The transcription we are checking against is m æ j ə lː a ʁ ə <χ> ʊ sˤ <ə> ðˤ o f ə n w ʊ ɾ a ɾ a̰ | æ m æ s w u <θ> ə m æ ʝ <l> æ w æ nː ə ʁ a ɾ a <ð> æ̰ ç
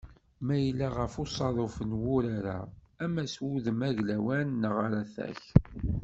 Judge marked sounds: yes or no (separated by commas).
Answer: no, no, no, yes, no